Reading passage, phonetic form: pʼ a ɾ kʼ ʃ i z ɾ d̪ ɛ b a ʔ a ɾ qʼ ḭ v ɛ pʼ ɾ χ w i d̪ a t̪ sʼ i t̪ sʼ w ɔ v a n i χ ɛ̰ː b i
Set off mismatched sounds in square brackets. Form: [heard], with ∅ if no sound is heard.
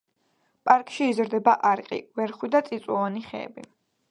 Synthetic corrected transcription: pʼ a ɾ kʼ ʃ [iː] z ɾ d̪ ɛ b a ʔ a ɾ qʼ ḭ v ɛ [∅] ɾ χ w i d̪ a t̪ sʼ i t̪ sʼ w ɔ v a n i χ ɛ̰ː b i